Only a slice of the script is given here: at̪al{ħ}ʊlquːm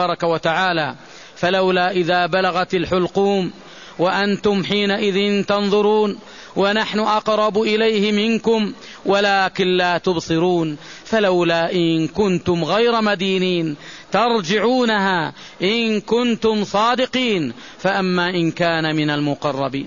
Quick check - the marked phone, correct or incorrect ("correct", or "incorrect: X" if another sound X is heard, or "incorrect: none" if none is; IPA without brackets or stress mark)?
correct